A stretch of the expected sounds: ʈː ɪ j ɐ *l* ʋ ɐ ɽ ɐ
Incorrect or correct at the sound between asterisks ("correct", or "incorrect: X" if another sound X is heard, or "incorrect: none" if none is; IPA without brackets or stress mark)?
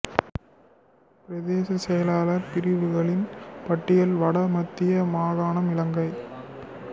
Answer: correct